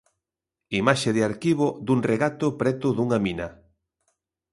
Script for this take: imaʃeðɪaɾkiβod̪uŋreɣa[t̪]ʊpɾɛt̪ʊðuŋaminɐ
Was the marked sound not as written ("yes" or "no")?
no